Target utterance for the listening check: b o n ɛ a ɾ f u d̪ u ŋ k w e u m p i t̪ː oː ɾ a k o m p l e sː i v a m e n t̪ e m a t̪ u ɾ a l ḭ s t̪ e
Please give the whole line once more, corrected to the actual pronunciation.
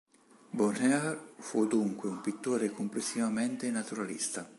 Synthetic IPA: b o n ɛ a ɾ f u d̪ u ŋ k w e u m p i t̪ː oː ɾ e k o m p l e sː i v a m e n t̪ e n a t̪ u ɾ a l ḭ s t̪ a